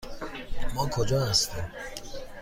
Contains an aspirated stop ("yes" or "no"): yes